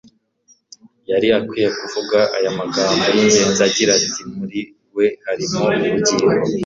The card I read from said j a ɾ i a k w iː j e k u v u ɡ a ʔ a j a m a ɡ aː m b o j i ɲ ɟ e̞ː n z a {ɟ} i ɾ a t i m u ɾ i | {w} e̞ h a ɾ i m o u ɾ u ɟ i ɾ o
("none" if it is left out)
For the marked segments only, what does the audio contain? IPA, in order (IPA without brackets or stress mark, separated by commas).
ɟ, w